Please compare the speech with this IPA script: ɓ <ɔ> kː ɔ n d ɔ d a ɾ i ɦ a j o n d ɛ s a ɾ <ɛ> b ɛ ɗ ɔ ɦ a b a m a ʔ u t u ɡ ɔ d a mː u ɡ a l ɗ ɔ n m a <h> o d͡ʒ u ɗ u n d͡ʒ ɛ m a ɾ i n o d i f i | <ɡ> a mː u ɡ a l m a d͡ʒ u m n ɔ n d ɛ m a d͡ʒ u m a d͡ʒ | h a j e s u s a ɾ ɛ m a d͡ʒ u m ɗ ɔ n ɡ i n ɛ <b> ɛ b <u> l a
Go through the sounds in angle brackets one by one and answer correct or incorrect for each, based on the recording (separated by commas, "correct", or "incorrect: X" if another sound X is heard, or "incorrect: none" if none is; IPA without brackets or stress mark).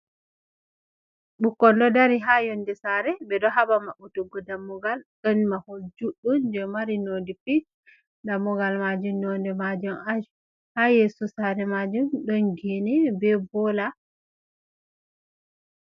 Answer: incorrect: u, correct, correct, incorrect: d, correct, incorrect: ɔ